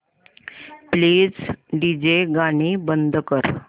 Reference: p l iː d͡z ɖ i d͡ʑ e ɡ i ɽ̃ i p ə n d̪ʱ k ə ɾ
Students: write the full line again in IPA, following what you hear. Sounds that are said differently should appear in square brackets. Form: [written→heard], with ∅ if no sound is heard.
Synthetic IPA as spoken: p l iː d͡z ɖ i d͡ʑ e ɡ [i→a] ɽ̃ i [p→b] ə n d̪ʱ k ə ɾ

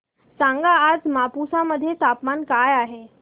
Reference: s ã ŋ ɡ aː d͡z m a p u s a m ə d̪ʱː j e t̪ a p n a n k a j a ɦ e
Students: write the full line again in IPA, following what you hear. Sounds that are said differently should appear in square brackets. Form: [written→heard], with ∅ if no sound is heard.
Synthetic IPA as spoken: s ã ŋ ɡ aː d͡z m a p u s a m ə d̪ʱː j e t̪ a p [n→m] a n k a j a ɦ e

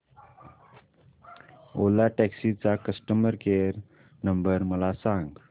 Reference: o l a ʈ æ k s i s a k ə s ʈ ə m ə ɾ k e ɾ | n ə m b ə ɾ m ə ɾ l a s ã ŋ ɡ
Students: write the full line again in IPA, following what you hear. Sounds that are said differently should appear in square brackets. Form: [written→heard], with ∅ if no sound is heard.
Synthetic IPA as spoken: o l a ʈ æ k s i [s→t͡s] a k ə s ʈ ə m ə ɾ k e ɾ | n ə m b ə ɾ m ə [ɾ→∅] l a s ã ŋ ɡ

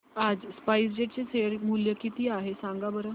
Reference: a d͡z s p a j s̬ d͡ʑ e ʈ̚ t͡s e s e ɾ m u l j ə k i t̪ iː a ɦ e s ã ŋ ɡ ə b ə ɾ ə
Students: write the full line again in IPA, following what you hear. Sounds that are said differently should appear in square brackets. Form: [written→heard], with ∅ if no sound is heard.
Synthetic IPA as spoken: a d͡z s p a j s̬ d͡ʑ e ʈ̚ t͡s e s e ɾ m u l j ə k i t̪ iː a ɦ e s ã ŋ ɡ [ə→a] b ə ɾ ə

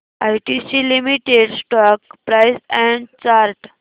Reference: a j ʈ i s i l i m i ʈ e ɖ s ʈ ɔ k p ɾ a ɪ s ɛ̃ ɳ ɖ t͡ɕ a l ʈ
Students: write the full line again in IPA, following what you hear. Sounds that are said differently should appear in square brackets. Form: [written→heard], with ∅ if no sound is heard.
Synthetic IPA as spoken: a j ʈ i s i l i m i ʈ e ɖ s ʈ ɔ k p ɾ a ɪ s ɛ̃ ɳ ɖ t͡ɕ a [l→ɾ] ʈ

